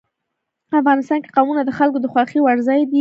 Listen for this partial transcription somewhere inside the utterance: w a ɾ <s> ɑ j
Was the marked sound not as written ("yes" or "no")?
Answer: yes